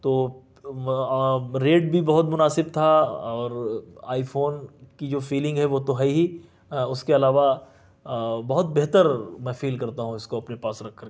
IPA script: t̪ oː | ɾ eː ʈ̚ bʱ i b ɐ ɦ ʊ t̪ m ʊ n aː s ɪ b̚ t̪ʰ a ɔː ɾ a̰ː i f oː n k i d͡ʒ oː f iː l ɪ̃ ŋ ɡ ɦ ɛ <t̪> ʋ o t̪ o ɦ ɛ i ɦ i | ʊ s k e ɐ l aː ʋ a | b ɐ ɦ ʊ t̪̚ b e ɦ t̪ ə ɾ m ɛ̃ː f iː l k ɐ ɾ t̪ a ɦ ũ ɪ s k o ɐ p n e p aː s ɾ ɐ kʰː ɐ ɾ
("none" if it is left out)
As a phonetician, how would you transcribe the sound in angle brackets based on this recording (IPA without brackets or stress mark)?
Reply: none